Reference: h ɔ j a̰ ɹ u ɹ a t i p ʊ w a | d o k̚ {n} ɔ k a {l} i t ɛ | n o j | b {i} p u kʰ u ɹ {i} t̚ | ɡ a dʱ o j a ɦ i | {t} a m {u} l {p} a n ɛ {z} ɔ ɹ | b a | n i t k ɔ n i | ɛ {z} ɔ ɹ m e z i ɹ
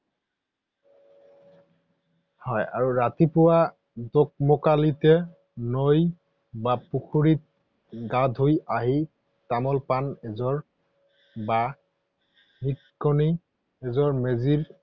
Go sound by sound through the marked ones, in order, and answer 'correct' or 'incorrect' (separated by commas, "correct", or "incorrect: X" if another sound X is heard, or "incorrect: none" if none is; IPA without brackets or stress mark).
incorrect: m, correct, incorrect: a, correct, correct, incorrect: ɔ, correct, correct, correct